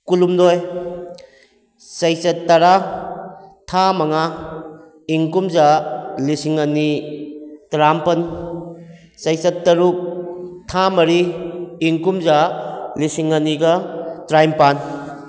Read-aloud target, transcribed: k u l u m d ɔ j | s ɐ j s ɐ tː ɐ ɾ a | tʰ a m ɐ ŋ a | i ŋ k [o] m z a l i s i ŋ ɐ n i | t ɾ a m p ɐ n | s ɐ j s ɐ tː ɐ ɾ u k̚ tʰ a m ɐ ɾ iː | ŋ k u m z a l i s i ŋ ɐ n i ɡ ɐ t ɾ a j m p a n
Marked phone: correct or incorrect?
incorrect